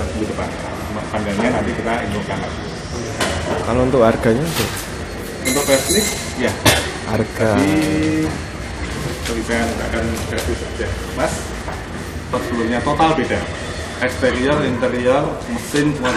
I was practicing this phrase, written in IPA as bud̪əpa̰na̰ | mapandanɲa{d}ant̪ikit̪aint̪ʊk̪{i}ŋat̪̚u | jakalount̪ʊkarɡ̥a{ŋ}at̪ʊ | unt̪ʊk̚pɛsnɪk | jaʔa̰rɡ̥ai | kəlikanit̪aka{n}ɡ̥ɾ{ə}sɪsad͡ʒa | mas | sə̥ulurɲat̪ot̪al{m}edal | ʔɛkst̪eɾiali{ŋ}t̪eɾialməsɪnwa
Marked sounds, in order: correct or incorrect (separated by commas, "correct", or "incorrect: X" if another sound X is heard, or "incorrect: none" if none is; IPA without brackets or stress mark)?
incorrect: n, incorrect: a, incorrect: ɲ, correct, incorrect: a, incorrect: b, incorrect: n